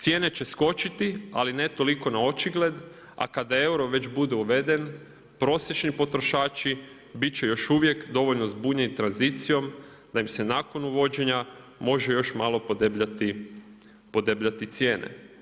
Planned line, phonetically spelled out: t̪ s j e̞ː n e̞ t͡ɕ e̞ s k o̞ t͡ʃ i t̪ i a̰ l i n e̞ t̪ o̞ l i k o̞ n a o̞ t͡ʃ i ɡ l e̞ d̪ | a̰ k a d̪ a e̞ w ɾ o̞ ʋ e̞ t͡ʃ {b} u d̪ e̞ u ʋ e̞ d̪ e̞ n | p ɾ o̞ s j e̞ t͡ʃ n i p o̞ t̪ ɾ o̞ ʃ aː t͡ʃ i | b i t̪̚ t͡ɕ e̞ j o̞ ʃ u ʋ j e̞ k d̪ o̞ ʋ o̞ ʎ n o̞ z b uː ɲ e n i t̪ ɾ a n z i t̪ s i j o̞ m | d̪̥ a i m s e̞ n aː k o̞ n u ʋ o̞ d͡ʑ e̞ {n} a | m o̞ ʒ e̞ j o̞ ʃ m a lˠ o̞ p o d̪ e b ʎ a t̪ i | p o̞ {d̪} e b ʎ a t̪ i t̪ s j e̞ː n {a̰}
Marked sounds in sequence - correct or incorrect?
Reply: correct, incorrect, correct, incorrect

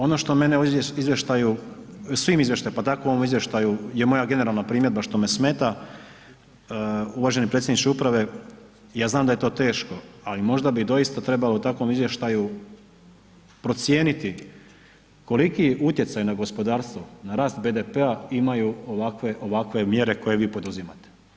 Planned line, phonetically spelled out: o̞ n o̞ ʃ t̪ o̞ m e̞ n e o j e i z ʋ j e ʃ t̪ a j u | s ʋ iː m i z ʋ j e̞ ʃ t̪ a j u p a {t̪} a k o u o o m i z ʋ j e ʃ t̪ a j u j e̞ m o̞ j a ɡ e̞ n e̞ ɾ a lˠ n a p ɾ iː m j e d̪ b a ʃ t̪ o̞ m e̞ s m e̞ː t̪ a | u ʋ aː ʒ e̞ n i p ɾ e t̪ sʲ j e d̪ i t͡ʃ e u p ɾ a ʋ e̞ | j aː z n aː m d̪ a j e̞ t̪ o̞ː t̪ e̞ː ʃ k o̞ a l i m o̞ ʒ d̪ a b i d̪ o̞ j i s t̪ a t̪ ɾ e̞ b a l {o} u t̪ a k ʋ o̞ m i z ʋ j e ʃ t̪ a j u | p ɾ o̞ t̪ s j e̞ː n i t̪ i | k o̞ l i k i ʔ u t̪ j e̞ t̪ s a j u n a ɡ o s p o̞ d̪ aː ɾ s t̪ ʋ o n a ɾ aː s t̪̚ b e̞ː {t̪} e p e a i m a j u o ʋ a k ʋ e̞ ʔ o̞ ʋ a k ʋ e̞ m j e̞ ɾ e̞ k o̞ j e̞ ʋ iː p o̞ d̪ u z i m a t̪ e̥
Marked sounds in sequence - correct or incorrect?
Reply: correct, correct, incorrect

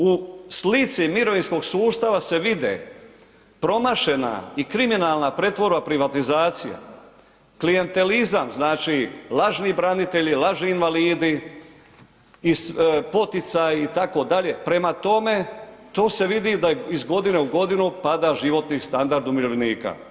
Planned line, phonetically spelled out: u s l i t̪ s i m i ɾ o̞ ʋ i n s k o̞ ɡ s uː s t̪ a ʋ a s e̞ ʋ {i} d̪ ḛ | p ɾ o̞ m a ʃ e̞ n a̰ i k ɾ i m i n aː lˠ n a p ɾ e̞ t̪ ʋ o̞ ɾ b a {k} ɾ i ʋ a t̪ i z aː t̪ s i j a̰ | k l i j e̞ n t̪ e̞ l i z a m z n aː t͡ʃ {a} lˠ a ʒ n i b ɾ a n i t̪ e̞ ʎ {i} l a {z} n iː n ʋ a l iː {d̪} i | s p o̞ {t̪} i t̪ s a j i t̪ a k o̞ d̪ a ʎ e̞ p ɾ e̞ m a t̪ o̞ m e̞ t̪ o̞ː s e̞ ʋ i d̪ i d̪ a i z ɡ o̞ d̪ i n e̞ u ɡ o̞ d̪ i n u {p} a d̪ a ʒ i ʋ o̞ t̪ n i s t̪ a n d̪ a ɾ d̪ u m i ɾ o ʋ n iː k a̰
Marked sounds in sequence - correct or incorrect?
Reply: correct, incorrect, incorrect, correct, incorrect, correct, correct, correct

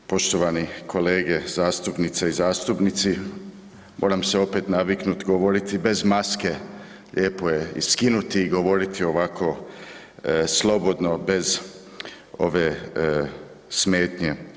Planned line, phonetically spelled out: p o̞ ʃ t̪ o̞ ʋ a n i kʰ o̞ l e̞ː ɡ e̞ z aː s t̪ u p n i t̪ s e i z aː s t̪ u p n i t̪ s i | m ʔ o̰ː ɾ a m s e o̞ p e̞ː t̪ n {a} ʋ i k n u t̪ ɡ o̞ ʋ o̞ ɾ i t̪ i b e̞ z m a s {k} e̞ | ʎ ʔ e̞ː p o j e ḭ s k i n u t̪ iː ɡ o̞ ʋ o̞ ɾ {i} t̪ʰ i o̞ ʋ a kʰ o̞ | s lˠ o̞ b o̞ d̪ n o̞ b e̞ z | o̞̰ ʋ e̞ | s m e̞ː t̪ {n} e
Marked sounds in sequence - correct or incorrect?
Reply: correct, correct, correct, incorrect

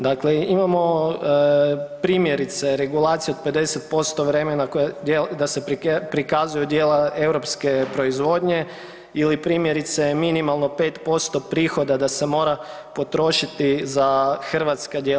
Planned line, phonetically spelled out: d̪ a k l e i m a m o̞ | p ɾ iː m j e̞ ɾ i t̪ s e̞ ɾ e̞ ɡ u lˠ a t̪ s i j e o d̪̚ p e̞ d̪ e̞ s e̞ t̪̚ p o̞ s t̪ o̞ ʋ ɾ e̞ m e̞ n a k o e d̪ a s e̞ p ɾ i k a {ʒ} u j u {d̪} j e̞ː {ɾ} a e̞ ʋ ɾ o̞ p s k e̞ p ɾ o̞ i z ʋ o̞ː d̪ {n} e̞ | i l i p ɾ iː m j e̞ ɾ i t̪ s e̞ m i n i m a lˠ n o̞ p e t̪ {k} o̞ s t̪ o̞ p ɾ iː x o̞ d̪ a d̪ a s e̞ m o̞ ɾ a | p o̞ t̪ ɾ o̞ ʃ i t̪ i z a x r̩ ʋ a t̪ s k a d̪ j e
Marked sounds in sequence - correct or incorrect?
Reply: incorrect, correct, incorrect, incorrect, incorrect

